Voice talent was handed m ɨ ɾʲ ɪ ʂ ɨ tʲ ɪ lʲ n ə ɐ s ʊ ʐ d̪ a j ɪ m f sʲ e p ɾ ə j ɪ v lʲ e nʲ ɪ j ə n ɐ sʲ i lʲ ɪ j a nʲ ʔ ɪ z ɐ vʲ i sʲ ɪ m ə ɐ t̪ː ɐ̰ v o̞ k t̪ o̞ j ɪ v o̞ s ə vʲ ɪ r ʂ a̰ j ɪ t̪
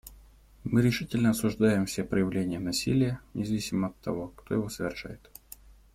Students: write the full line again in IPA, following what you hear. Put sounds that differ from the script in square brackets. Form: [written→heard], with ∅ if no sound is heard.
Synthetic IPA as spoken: m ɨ ɾʲ ɪ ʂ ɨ tʲ ɪ lʲ n ə ɐ s ʊ ʐ d̪ a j ɪ m f sʲ e p ɾ ə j ɪ v lʲ e nʲ ɪ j ə n ɐ sʲ i lʲ ɪ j [a→ə] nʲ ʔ ɪ z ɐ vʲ i sʲ ɪ m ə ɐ t̪ː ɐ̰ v o̞ k t̪ o̞ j ɪ v o̞ s ə vʲ ɪ r ʂ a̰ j ɪ t̪